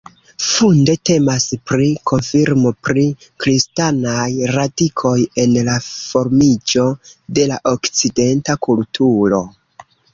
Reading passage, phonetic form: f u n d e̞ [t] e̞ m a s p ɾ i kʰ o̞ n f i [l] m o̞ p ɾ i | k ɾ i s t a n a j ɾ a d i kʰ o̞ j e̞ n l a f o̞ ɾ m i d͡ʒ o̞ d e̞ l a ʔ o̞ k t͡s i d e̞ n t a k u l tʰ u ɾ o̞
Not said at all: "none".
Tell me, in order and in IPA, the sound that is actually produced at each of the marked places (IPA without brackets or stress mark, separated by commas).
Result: t, ɾ